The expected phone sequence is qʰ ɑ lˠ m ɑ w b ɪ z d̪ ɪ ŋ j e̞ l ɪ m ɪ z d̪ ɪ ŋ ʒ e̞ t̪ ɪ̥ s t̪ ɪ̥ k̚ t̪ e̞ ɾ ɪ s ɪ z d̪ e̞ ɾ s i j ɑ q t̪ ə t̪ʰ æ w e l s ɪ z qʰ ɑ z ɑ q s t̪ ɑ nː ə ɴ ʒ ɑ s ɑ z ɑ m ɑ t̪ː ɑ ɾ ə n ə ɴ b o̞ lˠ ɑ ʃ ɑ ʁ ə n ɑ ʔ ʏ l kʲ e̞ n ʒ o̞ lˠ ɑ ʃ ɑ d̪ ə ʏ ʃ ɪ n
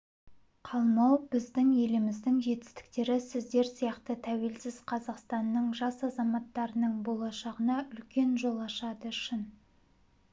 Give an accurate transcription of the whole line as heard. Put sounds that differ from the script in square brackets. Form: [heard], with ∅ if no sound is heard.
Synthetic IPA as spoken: qʰ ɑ lˠ m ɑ w b ɪ z d̪ ɪ ŋ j e̞ l ɪ m ɪ z d̪ ɪ ŋ ʒ e̞ t̪ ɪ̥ s t̪ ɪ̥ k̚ t̪ e̞ ɾ ɪ s ɪ z d̪ e̞ ɾ s i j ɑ q t̪ ə t̪ʰ æ w e l s ɪ z qʰ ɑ z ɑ q s t̪ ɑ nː ə ɴ ʒ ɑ s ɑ z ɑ m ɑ t̪ː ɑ ɾ ə n ə ɴ b o̞ lˠ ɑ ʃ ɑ ʁ ə n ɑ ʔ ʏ l kʲ e̞ n ʒ o̞ lˠ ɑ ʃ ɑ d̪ ə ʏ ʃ ɪ n